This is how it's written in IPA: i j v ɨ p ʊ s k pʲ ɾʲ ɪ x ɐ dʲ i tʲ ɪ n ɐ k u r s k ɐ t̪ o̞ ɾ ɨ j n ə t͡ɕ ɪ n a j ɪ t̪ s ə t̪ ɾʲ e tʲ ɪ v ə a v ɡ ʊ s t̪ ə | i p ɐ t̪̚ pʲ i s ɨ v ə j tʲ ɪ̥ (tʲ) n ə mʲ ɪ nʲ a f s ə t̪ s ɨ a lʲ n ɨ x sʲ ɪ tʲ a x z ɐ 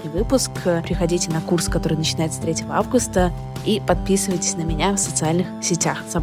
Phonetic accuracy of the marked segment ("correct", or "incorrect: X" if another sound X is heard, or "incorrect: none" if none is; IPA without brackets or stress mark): incorrect: sʲ